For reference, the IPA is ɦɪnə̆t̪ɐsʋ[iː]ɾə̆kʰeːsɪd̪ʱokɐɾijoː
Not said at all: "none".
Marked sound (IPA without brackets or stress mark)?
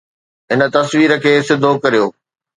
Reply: iː